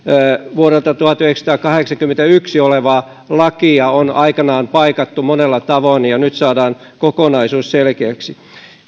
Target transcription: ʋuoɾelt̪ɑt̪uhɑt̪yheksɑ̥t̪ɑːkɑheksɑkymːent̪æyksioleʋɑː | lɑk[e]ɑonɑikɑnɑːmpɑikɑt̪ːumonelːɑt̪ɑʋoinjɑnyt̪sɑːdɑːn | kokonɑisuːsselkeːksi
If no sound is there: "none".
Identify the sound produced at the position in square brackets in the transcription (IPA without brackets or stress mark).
i